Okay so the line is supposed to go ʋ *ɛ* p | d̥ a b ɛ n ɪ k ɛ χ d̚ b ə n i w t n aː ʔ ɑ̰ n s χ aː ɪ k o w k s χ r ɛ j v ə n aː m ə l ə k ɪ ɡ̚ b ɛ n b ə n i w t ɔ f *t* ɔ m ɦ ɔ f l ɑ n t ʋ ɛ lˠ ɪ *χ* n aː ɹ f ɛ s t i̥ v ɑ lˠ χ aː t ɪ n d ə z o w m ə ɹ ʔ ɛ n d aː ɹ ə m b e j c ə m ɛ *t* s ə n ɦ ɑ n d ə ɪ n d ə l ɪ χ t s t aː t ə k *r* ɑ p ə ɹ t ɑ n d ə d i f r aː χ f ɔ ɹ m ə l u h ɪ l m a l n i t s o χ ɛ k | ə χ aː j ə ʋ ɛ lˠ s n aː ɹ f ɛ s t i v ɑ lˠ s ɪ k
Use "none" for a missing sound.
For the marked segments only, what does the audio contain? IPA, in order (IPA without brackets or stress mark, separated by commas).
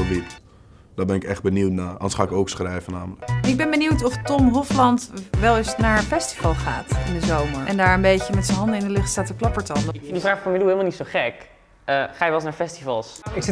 i, t, s, t, l